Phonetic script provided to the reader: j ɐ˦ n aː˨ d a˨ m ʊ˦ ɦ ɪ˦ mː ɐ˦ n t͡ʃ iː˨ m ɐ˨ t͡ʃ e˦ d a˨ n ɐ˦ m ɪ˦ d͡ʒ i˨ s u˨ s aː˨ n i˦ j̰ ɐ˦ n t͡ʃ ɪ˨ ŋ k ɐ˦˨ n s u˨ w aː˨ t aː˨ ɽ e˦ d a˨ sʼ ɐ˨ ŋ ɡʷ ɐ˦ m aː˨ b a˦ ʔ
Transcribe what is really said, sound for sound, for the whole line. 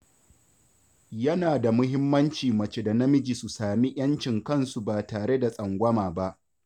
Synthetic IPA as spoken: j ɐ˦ n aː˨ d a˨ m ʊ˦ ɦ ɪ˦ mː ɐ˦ n t͡ʃ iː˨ m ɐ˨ t͡ʃ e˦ d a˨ n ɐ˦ m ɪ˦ d͡ʒ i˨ s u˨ s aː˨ m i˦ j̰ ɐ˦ n t͡ʃ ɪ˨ ŋ k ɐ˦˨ n s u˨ b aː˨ t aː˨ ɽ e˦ d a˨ sʼ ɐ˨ ŋ ɡʷ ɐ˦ m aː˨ b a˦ ʔ

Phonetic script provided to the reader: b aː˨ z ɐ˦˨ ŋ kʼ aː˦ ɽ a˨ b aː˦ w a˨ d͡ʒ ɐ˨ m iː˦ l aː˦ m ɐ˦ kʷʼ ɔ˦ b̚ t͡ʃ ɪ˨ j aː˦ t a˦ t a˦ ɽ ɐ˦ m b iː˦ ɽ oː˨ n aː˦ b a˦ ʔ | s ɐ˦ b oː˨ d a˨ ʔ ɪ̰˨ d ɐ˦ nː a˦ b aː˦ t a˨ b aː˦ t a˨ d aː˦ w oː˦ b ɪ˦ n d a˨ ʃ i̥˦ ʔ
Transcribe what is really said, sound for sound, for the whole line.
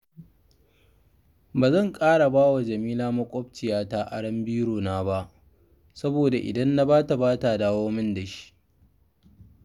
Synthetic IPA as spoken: b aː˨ z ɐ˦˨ ŋ kʼ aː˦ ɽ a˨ b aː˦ w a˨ d͡ʒ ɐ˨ m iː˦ l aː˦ m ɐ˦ kʷʼ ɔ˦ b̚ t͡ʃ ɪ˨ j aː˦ t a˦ ʔ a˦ ɽ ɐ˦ m b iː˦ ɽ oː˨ n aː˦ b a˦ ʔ | s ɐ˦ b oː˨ d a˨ ʔ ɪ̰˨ d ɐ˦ nː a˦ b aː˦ t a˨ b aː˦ t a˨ d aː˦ w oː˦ m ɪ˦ n d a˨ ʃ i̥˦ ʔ

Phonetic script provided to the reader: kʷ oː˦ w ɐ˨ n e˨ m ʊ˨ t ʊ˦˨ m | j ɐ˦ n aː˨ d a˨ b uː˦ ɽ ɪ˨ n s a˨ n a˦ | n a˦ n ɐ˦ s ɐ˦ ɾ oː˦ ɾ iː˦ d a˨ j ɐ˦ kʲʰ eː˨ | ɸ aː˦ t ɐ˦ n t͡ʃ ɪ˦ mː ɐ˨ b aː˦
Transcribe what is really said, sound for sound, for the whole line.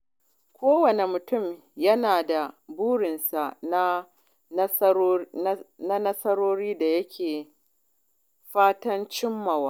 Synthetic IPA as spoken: kʷ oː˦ w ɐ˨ n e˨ m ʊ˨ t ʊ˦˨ m | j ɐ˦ n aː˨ d a˨ b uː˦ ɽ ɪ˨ n s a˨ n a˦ | n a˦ n ɐ˦ s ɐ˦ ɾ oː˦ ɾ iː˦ d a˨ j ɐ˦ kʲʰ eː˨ | ɸ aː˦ t ɐ˦ n t͡ʃ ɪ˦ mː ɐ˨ w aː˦

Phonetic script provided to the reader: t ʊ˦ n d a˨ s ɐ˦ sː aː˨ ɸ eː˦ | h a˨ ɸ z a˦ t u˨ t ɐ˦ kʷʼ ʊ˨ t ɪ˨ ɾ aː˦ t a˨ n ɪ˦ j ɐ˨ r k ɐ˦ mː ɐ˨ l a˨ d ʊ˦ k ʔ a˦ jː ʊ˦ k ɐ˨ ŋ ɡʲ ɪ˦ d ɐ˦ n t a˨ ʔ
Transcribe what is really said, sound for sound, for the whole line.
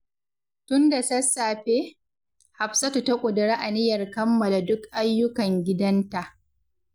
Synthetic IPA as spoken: t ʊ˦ n d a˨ s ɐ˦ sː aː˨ ɸ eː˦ | h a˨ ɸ s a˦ t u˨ t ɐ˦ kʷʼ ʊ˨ d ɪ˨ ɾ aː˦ ʔ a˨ n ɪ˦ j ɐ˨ r k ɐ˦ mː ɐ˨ l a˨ d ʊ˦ k ʔ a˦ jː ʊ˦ k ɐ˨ ŋ ɡʲ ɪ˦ d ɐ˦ n t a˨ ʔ

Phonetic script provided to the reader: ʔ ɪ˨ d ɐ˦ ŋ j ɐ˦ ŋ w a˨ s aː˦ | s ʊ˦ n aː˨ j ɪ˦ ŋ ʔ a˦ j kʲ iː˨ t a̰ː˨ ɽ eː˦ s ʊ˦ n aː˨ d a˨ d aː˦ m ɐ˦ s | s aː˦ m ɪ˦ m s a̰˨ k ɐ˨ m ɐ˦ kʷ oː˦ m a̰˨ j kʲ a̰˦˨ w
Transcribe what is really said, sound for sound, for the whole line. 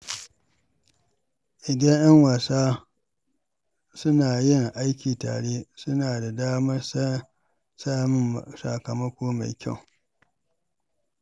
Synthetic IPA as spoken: ʔ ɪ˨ d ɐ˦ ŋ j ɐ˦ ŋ w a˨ s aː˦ | s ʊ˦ n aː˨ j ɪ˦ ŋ ʔ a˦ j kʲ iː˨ t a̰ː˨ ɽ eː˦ s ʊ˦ n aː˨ d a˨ d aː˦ m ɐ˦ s | s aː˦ m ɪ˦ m s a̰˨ k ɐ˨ m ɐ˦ kʷ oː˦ m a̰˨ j kʲ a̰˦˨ w

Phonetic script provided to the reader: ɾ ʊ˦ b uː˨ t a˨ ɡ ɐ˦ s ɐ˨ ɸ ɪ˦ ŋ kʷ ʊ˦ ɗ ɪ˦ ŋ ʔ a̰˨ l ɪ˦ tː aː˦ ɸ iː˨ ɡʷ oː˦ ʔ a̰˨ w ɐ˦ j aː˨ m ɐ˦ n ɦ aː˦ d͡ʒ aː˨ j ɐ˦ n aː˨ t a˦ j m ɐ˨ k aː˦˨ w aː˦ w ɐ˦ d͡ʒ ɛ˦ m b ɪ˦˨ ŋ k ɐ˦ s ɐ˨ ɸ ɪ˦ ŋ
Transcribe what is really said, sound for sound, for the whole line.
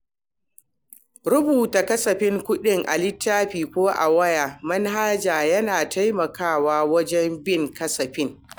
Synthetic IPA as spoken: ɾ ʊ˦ b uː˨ t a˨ k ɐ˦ s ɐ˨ ɸ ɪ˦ ŋ kʷ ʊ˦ ɗ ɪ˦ ŋ ʔ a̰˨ l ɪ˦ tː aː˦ ɸ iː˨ kʷ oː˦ ʔ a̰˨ w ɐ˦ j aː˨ m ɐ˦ n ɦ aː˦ d͡ʒ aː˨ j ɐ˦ n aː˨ t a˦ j m ɐ˨ k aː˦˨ w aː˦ w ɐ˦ d͡ʒ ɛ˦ m b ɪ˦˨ ŋ k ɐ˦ s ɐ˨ ɸ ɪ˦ ŋ

